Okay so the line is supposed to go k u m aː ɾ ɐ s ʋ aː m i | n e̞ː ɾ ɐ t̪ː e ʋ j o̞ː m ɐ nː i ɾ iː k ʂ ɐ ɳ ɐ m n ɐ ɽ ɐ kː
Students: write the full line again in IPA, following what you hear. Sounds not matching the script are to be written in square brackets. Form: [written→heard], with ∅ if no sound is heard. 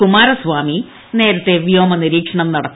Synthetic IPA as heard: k u m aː ɾ ɐ s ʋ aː m i | n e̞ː ɾ ɐ t̪ː e ʋ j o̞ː m ɐ [nː→n] i ɾ iː k ʂ ɐ ɳ ɐ m n ɐ ɽ ɐ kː